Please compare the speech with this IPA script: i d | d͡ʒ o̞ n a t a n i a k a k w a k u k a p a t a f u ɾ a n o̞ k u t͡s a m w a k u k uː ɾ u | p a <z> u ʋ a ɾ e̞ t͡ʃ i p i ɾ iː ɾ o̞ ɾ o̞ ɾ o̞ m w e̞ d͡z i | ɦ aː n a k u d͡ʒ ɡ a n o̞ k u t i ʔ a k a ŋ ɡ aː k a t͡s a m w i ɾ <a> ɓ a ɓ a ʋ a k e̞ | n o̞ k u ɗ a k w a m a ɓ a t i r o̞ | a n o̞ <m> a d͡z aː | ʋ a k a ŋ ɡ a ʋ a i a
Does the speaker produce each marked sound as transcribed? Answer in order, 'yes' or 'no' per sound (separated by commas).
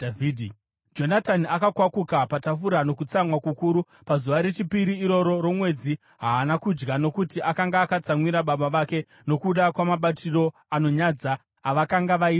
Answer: yes, yes, no